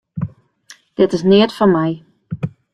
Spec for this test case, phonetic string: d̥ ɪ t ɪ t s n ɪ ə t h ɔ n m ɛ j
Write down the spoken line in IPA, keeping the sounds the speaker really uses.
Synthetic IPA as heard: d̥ ɪ t ɪ s n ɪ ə t f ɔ n m ɛ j